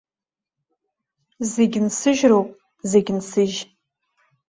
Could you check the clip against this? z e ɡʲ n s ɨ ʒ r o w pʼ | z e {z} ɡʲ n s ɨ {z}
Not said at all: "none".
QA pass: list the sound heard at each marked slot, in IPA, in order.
none, ʒ

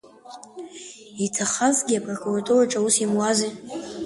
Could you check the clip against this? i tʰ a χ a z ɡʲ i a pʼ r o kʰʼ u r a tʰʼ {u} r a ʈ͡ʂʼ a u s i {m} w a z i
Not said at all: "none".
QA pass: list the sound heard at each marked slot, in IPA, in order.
u, m

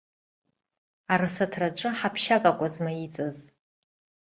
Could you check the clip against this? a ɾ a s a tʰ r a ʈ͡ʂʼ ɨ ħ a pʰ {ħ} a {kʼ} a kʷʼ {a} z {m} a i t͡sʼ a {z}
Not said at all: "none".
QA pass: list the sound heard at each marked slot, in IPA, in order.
ʃ, kʼ, a, m, z

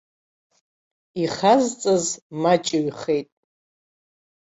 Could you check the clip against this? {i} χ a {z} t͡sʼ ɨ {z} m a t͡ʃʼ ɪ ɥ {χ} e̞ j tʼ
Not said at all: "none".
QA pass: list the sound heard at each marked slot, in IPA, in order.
i, z, z, χ

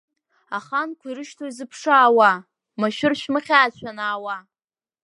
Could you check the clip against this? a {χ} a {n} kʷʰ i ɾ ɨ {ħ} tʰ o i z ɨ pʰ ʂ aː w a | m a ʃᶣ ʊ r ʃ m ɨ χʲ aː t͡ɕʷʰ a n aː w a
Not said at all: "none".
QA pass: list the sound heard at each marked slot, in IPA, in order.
χ, n, ʃ

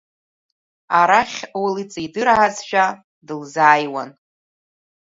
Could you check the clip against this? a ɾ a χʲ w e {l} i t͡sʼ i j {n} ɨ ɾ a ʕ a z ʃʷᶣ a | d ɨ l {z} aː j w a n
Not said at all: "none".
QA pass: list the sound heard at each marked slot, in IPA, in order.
l, d, z

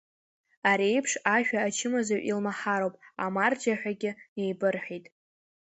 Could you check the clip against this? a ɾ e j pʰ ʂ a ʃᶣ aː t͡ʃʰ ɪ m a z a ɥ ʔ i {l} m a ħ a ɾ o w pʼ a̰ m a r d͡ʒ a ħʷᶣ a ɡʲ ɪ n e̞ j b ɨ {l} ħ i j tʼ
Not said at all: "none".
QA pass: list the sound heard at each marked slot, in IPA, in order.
l, r

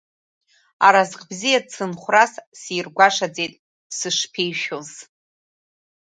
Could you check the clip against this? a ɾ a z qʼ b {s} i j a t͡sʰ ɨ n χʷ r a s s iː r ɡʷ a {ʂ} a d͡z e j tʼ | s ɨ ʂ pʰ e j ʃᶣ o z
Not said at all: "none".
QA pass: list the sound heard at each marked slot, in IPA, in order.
z, ʂ

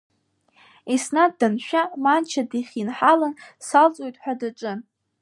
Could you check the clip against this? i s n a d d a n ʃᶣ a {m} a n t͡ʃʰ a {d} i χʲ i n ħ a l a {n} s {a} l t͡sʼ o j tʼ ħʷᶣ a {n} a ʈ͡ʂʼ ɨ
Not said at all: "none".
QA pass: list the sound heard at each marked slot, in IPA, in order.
m, d, n, a, d

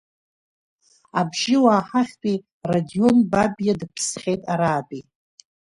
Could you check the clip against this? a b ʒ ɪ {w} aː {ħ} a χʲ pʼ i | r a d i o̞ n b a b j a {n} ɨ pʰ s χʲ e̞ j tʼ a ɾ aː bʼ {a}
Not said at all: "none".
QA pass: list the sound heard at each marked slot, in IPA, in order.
w, ħ, d, i

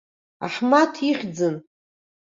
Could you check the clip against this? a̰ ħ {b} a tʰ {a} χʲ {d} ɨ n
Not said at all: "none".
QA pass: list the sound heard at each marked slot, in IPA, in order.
m, i, d͡z

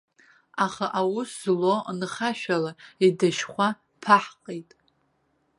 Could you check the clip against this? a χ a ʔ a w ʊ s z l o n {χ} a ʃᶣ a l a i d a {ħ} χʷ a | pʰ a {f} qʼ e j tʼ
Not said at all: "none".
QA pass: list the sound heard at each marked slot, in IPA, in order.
χ, ʃ, ħ

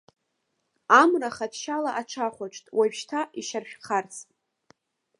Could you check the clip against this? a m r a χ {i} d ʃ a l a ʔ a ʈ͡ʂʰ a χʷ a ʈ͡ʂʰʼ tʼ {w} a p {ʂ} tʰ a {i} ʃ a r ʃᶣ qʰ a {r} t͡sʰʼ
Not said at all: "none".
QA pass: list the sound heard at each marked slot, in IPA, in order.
a, w, ʃ, i, r

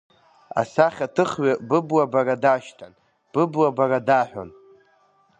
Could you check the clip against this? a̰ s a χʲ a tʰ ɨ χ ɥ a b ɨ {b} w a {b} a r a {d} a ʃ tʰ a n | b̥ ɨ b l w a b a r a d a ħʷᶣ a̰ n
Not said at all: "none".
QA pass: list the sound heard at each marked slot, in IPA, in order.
b, b, d

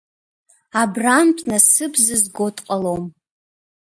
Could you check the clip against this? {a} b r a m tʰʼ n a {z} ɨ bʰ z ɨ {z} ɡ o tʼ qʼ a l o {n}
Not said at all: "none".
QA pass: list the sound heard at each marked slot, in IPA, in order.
a, s, z, m

